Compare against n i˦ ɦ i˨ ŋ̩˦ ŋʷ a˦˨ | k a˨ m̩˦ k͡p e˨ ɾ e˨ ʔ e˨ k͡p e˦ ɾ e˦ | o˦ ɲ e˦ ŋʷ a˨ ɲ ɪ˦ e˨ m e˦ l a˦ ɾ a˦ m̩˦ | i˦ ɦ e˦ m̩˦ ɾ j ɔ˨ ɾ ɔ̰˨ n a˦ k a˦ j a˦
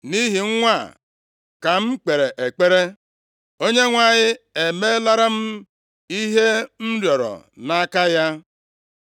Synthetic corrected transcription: n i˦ ɦ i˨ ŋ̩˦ ŋʷ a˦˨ | k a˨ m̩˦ k͡p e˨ ɾ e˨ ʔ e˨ k͡p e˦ ɾ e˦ | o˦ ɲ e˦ ŋʷ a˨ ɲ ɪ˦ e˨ m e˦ l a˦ ɾ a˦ m̩˦ | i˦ ɦ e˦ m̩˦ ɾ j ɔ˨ ɾ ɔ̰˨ n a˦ k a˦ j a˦